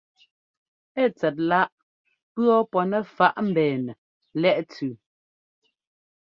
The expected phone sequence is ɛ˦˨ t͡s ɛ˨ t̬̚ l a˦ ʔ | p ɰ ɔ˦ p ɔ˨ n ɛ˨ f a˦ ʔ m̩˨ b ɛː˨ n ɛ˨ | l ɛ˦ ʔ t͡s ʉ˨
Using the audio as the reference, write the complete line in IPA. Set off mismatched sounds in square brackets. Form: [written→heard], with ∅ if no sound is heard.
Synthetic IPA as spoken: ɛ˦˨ t͡s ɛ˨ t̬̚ l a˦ ʔ | p ɰ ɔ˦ p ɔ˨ n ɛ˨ f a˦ ʔ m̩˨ b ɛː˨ n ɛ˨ | l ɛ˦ ʔ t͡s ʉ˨